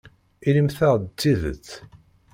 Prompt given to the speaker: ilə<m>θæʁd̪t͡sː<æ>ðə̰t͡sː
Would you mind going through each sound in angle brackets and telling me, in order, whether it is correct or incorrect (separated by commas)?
correct, incorrect